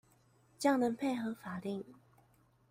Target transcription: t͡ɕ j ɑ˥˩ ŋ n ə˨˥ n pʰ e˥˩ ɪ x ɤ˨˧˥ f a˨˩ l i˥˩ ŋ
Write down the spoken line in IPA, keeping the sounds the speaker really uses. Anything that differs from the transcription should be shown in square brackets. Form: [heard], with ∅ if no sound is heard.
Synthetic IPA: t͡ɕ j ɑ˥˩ ŋ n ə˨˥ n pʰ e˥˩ ɪ x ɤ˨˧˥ f a˨˩ l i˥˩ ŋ